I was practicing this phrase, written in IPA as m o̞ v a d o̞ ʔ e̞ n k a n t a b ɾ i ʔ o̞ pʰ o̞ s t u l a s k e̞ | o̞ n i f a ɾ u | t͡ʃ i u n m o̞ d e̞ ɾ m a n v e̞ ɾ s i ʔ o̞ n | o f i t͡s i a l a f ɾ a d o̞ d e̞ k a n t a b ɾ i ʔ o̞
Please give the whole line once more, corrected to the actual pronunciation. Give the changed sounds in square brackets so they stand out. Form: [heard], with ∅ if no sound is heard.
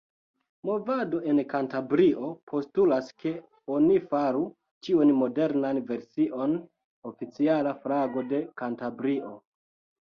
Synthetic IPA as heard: m o̞ v a d o̞ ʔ e̞ n k a n t a b ɾ i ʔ o̞ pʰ o̞ s t u l a s k e̞ | o̞ n i f a ɾ u | t͡ʃ i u n m o̞ d e̞ ɾ [n] a n v e̞ ɾ s i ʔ o̞ n | o f i t͡s i a l a f ɾ a [ɡ] o̞ d e̞ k a n t a b ɾ i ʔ o̞